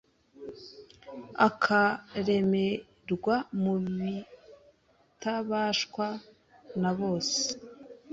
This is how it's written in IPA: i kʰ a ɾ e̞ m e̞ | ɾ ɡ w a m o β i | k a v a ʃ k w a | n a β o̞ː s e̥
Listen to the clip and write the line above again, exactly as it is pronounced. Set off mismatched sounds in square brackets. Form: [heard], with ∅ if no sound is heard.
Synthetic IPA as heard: [a] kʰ a ɾ e̞ m e̞ | ɾ ɡ w a m [u] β i | [t] a [β] a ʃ k w a | n a β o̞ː s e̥